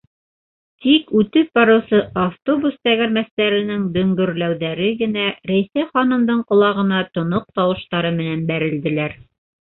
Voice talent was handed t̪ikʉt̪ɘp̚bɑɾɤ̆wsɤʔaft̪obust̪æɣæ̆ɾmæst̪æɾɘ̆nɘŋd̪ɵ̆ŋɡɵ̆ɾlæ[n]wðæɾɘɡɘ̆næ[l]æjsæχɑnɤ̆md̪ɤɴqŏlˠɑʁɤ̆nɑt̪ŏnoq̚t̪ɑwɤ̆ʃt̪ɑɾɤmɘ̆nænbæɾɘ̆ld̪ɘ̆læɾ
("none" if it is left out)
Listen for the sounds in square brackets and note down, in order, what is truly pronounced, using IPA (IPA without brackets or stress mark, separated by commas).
none, ɾ